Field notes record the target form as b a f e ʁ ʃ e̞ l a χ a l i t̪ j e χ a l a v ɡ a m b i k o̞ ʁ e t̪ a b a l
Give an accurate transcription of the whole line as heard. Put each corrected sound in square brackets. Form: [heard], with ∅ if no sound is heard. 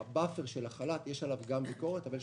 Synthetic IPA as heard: b a f e ʁ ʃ e̞ l a χ a l [a] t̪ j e [ʃ] a l a v ɡ a m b i k o̞ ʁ e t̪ a [v] a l

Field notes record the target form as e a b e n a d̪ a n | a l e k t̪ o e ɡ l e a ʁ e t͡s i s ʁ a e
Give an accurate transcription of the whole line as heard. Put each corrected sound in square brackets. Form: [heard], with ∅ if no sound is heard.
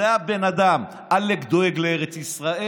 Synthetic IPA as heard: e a b e n a d̪ a [m] | a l e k [d̪] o e ɡ l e [e] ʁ e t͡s i s ʁ a e

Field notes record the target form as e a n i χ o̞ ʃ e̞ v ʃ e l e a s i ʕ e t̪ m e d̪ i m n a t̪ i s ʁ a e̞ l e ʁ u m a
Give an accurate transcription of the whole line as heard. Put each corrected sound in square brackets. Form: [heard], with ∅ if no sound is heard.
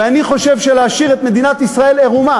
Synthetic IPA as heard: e a n i χ o̞ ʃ e̞ v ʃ e l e a [ʃ] i [ʁ] e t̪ m e d̪ i [∅] n a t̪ i s ʁ a e̞ l e ʁ u m a

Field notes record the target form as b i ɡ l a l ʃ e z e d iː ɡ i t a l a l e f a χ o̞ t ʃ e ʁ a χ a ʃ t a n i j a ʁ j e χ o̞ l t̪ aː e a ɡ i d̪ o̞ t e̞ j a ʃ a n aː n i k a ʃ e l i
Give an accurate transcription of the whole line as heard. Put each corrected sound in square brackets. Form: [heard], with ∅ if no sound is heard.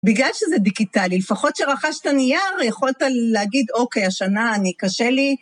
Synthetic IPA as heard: b i ɡ l a l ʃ e z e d [i] ɡ i t a l [i] l e f a χ o̞ t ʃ e ʁ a χ a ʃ t a n i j a ʁ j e χ o̞ l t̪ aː e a ɡ i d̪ o̞ [k] e̞ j a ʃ a n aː n i k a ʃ e l i

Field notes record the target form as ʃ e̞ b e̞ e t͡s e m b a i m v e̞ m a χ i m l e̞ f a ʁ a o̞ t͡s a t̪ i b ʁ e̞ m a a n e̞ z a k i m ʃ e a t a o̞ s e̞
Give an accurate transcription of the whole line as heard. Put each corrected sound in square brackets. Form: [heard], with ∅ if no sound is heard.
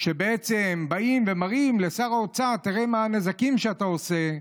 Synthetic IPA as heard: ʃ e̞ b e̞ e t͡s e m b a i m v e̞ m a [ʁ] i m l e̞ [s] a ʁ a o̞ t͡s a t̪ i [∅] ʁ e̞ m a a n e̞ z a k i m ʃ e a t a o̞ s e̞

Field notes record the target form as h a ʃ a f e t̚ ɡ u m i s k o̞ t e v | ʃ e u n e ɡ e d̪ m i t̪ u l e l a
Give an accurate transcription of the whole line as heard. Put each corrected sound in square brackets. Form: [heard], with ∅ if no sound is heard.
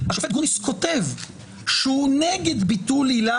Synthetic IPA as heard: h a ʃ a f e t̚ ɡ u [n] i s k o̞ t e v | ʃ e u n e ɡ e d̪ [b] i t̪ u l [i] l a

